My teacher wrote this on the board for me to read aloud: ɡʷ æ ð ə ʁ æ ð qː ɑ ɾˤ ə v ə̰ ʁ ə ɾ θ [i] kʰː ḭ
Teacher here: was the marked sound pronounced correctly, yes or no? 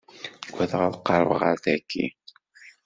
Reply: no